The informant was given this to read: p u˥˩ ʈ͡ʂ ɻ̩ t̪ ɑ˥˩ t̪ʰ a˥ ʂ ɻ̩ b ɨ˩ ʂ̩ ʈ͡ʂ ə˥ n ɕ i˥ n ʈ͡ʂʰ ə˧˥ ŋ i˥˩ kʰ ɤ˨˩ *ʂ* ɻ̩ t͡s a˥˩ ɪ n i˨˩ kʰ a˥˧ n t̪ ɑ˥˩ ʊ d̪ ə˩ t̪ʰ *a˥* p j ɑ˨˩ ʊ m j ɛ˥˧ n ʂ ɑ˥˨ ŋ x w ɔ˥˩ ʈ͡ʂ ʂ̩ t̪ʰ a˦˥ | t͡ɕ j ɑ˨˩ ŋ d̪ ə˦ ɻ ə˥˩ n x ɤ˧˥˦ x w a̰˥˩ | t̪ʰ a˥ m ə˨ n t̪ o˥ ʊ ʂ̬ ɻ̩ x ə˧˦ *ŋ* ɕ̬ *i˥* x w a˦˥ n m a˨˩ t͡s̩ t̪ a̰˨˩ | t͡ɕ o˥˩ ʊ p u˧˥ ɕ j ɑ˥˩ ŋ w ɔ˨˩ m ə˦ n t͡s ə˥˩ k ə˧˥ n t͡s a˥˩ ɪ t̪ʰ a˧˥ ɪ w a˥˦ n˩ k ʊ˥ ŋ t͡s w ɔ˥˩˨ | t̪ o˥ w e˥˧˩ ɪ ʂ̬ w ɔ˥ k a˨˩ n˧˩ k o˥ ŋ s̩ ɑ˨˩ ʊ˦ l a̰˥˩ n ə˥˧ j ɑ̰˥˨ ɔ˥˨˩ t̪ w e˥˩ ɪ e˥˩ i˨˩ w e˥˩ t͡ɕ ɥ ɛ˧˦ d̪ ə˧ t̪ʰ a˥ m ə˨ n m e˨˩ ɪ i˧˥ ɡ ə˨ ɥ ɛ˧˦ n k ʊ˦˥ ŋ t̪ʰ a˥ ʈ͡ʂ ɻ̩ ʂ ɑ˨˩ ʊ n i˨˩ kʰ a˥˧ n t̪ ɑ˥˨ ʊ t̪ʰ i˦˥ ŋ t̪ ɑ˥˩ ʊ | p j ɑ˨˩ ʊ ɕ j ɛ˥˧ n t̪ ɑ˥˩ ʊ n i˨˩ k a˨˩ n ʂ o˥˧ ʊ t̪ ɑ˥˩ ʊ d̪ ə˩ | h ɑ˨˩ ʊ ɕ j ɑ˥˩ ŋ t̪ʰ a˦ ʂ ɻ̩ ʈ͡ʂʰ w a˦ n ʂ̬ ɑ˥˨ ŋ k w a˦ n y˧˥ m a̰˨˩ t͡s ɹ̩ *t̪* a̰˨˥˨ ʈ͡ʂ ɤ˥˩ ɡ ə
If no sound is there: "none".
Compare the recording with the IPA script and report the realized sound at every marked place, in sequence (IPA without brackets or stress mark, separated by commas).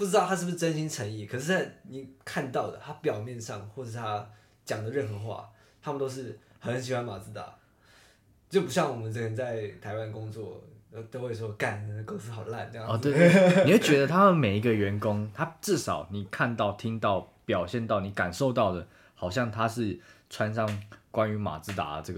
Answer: ʂ, a˥, n, i˨˩, t̪